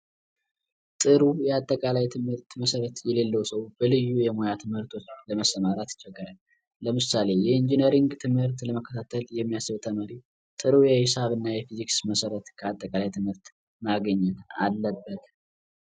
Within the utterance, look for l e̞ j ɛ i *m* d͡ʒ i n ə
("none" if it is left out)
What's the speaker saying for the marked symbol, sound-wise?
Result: n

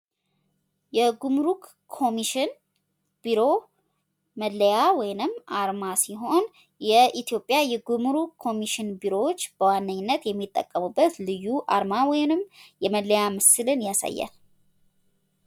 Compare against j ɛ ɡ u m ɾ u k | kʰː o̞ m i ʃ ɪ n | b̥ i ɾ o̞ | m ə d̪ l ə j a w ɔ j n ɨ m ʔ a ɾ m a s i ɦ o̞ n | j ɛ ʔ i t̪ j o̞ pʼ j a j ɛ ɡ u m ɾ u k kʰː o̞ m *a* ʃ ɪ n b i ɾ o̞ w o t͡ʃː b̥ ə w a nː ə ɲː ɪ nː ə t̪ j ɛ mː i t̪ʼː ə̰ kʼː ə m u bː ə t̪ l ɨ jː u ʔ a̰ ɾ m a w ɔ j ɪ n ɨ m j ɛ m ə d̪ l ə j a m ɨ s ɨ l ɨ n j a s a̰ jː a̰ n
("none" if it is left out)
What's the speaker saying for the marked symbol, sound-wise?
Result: i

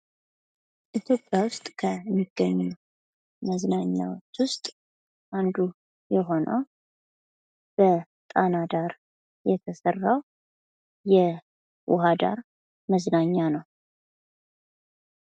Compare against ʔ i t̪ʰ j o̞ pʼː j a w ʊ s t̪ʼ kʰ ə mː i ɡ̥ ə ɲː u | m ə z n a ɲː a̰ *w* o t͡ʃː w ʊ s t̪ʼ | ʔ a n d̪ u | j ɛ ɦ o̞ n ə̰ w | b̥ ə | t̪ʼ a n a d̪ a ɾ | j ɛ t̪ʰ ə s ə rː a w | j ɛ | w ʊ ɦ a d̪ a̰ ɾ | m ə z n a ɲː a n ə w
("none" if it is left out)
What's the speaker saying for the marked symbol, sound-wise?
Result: w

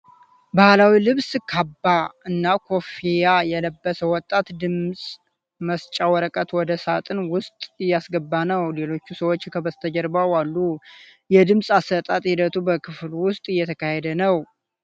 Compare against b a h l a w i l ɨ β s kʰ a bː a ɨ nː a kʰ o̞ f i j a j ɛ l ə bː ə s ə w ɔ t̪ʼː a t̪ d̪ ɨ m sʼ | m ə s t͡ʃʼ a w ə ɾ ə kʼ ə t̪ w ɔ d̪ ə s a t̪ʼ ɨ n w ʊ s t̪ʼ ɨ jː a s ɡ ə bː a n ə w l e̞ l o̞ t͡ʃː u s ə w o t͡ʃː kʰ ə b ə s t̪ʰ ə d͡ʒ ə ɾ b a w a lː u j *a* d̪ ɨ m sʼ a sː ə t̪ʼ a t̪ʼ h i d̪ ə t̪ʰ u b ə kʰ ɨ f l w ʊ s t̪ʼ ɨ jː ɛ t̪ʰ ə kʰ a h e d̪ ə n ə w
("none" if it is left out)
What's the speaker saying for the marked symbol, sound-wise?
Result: ɛ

